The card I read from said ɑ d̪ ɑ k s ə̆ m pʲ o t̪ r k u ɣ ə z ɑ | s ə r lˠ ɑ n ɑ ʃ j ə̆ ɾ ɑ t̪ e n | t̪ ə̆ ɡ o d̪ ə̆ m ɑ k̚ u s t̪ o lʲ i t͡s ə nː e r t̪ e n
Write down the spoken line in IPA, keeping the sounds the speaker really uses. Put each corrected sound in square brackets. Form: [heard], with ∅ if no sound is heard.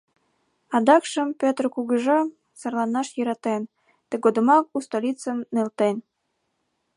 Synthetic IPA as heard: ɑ d̪ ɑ k [ʃ] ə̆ m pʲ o t̪ r k u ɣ ə [ʒ] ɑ | s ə r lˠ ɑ n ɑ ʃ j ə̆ ɾ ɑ t̪ e n | t̪ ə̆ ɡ o d̪ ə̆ m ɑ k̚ u s t̪ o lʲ i t͡s ə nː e [l] t̪ e n